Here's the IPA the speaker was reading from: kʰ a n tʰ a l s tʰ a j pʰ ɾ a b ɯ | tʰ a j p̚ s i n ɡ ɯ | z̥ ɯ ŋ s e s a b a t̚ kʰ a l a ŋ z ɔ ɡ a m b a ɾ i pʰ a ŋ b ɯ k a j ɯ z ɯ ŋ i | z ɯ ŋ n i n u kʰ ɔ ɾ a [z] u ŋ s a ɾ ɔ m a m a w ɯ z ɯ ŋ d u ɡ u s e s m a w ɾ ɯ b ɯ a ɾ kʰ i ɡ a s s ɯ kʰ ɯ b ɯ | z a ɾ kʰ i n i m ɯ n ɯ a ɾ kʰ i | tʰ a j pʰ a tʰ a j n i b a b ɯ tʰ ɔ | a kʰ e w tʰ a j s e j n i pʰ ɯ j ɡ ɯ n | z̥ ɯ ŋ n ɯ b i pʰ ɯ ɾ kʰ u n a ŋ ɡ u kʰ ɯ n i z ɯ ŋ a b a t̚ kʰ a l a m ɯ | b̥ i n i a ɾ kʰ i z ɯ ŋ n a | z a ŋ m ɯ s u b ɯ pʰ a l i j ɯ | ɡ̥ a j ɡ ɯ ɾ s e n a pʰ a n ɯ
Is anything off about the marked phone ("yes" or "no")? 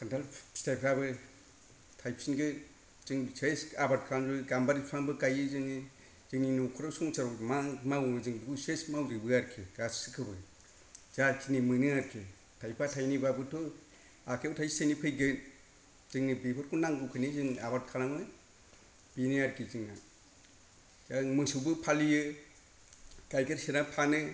yes